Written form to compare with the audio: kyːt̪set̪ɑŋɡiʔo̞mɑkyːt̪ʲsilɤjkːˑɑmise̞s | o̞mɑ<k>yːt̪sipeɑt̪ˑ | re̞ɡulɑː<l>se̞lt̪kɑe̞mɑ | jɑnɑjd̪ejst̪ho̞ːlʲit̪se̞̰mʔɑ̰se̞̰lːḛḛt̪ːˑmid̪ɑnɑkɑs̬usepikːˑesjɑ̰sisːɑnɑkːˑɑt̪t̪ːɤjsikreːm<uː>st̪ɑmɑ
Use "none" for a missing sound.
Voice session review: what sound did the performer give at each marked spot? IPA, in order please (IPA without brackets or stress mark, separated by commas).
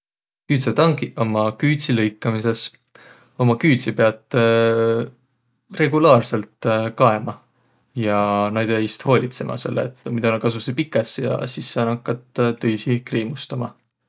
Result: k, r, u